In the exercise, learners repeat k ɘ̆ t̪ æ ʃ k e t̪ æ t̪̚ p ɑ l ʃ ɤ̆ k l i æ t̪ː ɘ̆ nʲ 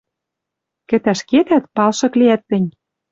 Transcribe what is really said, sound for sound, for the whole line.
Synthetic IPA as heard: k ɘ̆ t̪ æ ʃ k e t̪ æ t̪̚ p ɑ l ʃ ɤ̆ k l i æ t̪ː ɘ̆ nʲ